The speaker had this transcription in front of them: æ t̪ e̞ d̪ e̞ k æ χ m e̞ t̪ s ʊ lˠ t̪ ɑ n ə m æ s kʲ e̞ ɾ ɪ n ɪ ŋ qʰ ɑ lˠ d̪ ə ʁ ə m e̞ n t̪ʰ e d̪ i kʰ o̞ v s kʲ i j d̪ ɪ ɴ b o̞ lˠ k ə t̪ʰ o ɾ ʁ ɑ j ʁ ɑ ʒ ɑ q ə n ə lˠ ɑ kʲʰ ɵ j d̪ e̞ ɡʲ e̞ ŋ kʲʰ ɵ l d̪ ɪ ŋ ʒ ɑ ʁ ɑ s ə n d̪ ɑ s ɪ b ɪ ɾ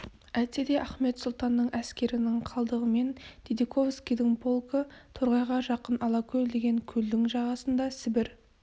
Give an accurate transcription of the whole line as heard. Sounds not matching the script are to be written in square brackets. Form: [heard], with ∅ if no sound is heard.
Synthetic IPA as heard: æ t̪ e̞ d̪ e̞ [ʔ] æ χ m e̞ t̪ s ʊ lˠ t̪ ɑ [nː] ə [ɴ] æ s kʲ e̞ ɾ ɪ n ɪ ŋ qʰ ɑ lˠ d̪ ə ʁ ə m e̞ n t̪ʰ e d̪ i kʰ o̞ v s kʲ i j d̪ ɪ [ŋ] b o̞ lˠ k ə t̪ʰ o ɾ ʁ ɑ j ʁ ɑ ʒ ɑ q ə n [ɑ] lˠ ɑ kʲʰ ɵ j d̪ e̞ ɡʲ e̞ ŋ kʲʰ ɵ l d̪ ɪ ŋ ʒ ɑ ʁ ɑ s ə n d̪ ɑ s ɪ b ɪ ɾ